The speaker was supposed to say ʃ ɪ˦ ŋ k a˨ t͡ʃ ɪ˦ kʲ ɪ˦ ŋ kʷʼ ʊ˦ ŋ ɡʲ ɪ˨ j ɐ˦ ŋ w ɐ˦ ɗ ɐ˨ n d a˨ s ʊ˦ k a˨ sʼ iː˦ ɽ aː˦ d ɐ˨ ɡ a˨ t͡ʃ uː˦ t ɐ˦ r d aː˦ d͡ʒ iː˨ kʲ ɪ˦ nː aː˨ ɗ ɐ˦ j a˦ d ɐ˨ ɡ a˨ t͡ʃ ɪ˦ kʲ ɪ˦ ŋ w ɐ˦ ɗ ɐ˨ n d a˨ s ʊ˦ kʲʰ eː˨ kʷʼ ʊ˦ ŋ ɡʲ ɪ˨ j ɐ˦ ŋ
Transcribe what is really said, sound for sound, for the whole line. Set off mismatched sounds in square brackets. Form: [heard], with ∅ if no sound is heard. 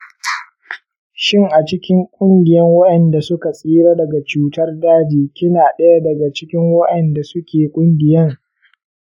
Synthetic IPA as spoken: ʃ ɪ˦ ŋ [ʔ] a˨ t͡ʃ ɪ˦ kʲ ɪ˦ ŋ kʷʼ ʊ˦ ŋ ɡʲ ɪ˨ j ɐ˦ ŋ w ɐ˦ ɗ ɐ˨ n d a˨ s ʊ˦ k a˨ sʼ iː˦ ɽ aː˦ d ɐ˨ ɡ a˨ t͡ʃ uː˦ t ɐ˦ r d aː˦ d͡ʒ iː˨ kʲ ɪ˦ [n] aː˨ ɗ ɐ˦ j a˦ d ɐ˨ ɡ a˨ t͡ʃ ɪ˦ kʲ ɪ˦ ŋ w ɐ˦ ɗ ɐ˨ n d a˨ s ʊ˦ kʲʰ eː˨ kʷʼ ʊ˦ ŋ ɡʲ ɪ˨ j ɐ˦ ŋ